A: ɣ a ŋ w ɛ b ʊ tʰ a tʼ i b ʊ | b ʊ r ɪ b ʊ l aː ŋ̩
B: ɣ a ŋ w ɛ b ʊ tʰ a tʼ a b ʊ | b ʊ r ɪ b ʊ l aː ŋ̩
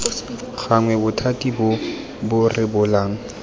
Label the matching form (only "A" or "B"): A